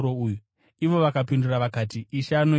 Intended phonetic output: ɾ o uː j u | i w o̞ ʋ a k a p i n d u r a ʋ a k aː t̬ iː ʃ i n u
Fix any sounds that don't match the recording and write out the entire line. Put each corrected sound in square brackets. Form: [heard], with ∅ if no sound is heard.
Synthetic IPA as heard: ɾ o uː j u | i [ʋ] o̞ ʋ a k a p i n d u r a ʋ a k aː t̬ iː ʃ [a] n [o]